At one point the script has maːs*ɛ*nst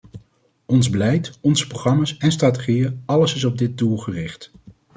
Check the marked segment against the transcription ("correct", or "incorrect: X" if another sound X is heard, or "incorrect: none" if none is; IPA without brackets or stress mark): correct